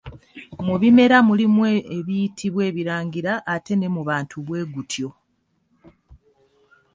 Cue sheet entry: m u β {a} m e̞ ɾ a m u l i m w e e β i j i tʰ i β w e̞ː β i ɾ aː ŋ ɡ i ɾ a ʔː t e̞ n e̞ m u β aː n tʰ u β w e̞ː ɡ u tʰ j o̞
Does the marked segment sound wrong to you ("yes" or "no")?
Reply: yes